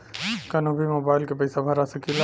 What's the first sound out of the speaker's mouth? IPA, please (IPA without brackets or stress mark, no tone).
k